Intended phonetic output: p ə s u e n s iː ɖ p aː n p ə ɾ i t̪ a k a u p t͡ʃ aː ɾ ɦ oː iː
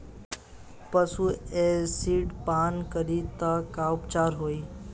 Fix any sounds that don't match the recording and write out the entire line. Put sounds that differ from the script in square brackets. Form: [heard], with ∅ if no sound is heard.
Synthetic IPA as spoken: p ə s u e [∅] s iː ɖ p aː n [k] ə ɾ i t̪ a k a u p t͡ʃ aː ɾ ɦ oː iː